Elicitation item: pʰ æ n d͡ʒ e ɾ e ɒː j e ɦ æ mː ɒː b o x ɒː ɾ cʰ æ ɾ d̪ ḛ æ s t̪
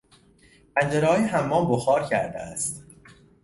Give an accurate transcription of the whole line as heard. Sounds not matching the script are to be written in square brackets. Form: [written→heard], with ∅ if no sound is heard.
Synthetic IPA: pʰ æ n d͡ʒ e ɾ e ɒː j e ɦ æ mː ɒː b o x ɒː ɾ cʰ æ ɾ d̪ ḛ æ s t̪

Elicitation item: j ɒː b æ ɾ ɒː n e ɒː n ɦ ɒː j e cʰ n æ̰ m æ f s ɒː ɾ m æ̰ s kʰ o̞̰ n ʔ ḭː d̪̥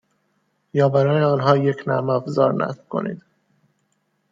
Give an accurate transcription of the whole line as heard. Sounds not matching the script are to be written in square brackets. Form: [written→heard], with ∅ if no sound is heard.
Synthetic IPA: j ɒː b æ ɾ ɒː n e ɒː n ɦ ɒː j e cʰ n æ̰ m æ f [s→z] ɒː ɾ [m→n] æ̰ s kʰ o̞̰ n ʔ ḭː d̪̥

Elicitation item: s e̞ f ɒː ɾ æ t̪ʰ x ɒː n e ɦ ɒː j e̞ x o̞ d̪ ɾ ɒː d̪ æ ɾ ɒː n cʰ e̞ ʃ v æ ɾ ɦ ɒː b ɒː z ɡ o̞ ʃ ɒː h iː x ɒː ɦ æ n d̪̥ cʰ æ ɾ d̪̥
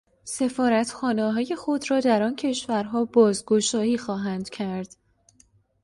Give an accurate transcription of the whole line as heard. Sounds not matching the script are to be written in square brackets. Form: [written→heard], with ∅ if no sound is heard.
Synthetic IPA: s e̞ f ɒː ɾ æ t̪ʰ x ɒː n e ɦ ɒː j e̞ x o̞ d̪ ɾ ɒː d̪ æ ɾ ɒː n cʰ e̞ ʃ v æ ɾ ɦ ɒː b ɒː z ɡ o̞ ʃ ɒː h iː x ɒː ɦ æ n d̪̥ cʰ æ ɾ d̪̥

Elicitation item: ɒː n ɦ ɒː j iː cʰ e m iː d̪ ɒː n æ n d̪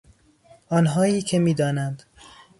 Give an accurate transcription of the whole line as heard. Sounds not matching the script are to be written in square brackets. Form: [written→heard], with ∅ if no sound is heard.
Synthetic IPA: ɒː n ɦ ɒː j iː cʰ e m iː d̪ ɒː n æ n d̪

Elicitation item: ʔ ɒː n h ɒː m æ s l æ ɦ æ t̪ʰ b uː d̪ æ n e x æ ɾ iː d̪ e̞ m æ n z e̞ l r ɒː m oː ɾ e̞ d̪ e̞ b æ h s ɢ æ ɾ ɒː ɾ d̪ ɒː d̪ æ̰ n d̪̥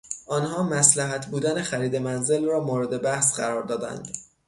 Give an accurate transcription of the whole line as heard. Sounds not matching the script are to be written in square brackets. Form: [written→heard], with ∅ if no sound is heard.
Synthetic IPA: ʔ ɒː n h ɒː m æ s l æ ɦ æ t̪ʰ b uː d̪ æ n e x æ ɾ iː d̪ e̞ m æ n z e̞ l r ɒː m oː ɾ e̞ d̪ e̞ b æ h s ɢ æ ɾ ɒː ɾ d̪ ɒː d̪ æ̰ n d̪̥

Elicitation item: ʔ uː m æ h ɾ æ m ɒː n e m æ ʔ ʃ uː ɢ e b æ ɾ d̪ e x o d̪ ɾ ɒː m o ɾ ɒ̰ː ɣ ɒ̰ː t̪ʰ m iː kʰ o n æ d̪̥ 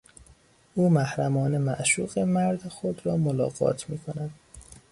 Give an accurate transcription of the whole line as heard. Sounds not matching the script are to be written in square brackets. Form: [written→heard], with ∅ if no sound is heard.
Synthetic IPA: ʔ uː m æ h ɾ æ m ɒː n e m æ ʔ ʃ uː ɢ e [b→m] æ ɾ d̪ e x o d̪ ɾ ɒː m o [ɾ→l] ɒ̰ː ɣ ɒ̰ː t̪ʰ m iː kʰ o n æ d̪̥

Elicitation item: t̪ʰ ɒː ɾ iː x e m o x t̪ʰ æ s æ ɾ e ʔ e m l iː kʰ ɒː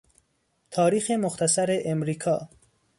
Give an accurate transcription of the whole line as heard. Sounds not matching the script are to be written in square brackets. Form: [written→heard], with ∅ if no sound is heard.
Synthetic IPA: t̪ʰ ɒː ɾ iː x e m o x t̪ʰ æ s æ ɾ e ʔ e m [l→ɾ] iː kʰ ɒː

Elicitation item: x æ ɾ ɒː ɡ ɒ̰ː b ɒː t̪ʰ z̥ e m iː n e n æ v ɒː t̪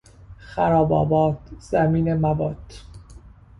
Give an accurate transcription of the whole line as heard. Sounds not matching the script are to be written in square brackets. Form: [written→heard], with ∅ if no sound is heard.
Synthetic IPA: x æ ɾ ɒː [ɡ→b] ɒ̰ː b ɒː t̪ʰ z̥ [e→æ] m iː n e [n→m] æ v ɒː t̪

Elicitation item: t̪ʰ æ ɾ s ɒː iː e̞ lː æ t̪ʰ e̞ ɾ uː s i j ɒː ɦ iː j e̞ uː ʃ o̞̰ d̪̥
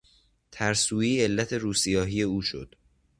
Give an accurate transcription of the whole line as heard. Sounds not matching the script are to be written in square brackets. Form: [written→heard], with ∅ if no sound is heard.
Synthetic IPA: t̪ʰ æ ɾ s [ɒː→uː] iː e̞ lː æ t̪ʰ e̞ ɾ uː s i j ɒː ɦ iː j e̞ uː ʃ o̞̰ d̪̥

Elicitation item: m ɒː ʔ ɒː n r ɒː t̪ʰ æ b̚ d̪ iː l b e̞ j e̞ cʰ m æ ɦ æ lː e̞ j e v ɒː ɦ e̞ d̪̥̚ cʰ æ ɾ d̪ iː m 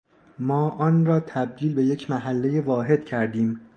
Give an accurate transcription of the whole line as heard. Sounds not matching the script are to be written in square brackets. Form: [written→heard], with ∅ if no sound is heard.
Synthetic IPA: m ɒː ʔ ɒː n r ɒː t̪ʰ æ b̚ d̪ iː l b e̞ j e̞ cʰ m æ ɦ æ lː e̞ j e v ɒː ɦ e̞ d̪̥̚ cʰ æ ɾ d̪ iː m

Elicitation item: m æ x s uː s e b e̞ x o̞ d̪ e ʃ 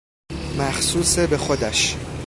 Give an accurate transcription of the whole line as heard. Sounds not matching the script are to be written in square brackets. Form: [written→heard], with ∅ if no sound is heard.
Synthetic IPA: m æ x s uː s e b e̞ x o̞ d̪ [e→æ] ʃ

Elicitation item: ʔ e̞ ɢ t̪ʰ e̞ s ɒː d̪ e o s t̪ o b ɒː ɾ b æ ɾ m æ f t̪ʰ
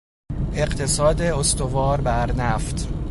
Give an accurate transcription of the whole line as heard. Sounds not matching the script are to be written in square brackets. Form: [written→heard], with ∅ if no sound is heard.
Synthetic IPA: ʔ e̞ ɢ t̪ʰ e̞ s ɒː d̪ e o s t̪ o [b→v] ɒː ɾ b æ ɾ [m→n] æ f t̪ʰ

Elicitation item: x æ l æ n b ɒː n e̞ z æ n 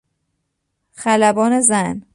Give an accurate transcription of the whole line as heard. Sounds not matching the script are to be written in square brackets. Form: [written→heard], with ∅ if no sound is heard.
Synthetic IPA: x æ l æ [n→∅] b ɒː n e̞ z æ n

